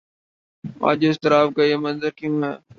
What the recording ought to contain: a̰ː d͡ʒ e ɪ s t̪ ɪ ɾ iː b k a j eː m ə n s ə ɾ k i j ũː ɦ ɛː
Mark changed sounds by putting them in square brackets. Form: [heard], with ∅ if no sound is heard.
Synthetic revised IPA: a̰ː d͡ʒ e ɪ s t̪ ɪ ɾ [aː] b k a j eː m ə n [z] ə ɾ k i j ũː ɦ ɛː